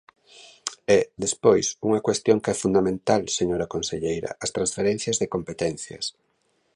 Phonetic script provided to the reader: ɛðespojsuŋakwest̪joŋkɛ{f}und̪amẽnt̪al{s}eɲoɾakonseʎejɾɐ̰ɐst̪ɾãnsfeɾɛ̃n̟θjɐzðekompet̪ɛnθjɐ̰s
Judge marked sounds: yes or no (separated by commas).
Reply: yes, yes